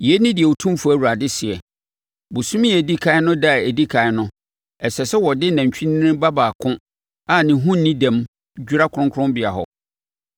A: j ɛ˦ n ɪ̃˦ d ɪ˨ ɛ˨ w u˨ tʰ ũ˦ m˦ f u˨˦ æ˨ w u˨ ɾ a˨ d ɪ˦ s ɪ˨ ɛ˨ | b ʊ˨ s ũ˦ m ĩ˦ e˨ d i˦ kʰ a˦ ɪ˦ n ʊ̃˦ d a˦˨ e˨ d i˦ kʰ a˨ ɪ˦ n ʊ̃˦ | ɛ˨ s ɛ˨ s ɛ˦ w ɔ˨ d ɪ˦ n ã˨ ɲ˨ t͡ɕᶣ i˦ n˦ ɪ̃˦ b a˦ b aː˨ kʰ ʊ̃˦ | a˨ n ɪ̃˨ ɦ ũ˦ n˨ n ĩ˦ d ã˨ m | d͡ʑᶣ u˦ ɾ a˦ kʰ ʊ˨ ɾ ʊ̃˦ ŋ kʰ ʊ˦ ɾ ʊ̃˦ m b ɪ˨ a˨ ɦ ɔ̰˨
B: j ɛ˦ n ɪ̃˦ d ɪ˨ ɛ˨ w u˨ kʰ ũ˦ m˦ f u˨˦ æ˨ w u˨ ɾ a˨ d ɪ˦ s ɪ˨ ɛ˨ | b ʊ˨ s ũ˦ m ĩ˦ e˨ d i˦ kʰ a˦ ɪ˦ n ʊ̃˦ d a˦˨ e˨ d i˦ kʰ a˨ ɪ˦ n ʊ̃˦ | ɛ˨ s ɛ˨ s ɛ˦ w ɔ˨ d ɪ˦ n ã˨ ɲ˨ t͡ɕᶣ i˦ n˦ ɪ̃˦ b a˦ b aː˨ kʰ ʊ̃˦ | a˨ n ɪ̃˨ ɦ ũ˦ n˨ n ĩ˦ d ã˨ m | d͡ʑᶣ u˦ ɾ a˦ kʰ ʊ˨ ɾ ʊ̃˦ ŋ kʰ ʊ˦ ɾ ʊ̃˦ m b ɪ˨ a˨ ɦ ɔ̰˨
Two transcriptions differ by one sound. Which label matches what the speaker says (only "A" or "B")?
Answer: A